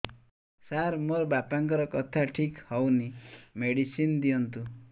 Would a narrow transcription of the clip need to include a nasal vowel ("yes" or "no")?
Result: no